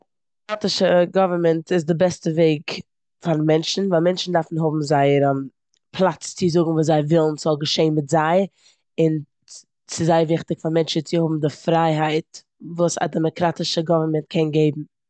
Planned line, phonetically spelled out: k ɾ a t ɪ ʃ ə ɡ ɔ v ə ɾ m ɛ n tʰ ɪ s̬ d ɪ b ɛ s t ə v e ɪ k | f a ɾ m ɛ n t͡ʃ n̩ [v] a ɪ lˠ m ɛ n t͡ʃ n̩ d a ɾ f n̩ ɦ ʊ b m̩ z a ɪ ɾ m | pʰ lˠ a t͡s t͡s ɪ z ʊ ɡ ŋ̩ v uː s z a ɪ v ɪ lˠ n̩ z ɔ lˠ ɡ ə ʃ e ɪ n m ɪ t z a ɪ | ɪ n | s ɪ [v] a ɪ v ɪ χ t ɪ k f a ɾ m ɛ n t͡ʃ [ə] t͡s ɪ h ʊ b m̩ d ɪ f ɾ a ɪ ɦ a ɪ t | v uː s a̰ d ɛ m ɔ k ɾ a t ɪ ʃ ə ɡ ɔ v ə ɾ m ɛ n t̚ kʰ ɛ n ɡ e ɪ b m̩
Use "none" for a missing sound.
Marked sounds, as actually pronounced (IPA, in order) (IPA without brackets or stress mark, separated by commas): v, z, ə